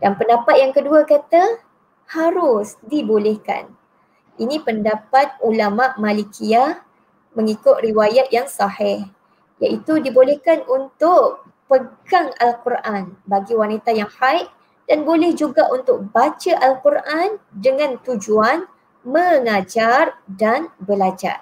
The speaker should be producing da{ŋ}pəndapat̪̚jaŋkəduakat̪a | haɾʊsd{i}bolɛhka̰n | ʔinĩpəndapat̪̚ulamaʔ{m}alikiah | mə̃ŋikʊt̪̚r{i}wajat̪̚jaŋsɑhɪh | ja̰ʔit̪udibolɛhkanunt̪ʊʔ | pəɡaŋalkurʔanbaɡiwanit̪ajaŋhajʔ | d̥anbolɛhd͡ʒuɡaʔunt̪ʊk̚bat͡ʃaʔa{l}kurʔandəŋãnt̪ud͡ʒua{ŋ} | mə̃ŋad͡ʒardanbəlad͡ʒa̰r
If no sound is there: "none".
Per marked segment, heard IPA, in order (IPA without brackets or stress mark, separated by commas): n, i, m, i, l, n